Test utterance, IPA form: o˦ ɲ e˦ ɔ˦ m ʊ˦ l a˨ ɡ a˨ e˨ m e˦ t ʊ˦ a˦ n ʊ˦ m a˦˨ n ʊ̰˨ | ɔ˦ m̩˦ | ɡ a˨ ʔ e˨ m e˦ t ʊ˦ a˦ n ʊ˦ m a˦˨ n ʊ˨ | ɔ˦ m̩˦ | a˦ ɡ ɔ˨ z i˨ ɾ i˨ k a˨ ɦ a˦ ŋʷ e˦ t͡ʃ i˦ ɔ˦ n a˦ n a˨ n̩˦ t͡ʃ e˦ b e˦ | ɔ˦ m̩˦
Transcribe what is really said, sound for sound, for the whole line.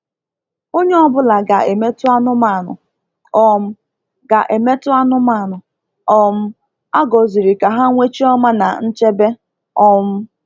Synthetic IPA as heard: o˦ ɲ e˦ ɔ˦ b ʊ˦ l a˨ ɡ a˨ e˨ m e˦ t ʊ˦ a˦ n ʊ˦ m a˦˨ n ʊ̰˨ | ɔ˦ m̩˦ | ɡ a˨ ʔ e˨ m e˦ t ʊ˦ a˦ n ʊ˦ m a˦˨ n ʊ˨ | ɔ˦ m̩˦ | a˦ ɡ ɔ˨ z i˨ ɾ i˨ k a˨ ɦ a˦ ŋʷ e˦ t͡ʃ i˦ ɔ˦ m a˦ n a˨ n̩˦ t͡ʃ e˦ b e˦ | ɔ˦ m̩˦